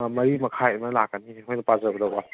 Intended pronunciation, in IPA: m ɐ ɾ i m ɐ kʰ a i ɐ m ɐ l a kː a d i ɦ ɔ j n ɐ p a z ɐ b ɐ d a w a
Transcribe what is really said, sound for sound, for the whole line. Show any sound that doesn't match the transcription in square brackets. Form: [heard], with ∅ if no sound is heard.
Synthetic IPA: m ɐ ɾ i m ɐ kʰ a [j] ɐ m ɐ l a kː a [n] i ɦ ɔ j n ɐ p a z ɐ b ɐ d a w a